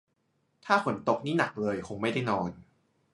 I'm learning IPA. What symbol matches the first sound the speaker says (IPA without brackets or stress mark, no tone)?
t̪ʰ